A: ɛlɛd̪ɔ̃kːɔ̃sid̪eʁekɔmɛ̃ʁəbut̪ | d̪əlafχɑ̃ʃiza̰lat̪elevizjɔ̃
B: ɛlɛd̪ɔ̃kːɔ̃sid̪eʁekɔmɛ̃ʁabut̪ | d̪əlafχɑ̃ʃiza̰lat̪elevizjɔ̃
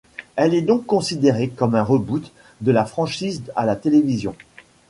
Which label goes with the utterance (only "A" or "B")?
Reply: A